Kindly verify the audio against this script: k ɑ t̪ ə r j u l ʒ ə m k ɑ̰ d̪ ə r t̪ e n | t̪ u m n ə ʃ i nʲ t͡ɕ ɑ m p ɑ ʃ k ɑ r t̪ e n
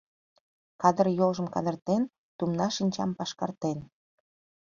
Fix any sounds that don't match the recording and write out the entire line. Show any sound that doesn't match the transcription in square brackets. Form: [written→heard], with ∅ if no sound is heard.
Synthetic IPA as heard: k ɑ [t̪→d̪] ə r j [u→o] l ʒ ə m k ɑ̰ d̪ ə r t̪ e n | t̪ u m n [ə→ɑ] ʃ i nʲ t͡ɕ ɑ m p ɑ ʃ k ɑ r t̪ e n